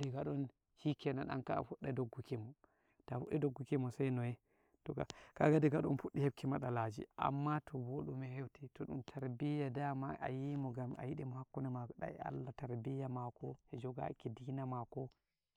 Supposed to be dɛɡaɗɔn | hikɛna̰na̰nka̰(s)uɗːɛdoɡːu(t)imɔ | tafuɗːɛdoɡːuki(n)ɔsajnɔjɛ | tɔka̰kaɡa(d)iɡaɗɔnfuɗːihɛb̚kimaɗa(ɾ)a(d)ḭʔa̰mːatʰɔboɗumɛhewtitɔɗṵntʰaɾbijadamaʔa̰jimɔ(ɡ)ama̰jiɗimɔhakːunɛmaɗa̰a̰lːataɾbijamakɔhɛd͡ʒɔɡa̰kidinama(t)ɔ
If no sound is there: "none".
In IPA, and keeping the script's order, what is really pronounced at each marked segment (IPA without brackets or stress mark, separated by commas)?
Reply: f, k, m, d, l, d͡ʒ, ɡ, k